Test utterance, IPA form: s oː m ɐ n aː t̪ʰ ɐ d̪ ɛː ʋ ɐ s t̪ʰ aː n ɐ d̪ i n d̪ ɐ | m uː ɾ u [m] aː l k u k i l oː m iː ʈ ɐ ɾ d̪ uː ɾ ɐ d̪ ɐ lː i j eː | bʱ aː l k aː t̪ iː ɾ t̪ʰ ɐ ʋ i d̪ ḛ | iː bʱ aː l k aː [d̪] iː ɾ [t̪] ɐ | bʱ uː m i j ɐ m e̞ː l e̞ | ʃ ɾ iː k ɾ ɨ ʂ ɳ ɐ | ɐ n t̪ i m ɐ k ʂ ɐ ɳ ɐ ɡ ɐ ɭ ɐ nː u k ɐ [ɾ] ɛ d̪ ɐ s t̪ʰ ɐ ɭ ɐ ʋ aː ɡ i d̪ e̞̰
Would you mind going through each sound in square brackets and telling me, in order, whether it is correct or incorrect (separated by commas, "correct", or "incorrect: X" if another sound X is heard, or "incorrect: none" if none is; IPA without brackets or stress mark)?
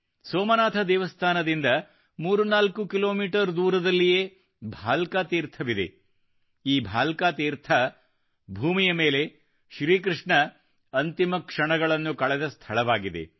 incorrect: n, incorrect: t̪, incorrect: t̪ʰ, incorrect: ɭ